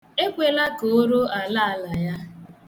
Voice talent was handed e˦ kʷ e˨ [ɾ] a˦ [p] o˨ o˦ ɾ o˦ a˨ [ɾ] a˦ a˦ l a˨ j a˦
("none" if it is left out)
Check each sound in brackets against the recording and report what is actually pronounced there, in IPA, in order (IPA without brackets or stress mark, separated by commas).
l, k, l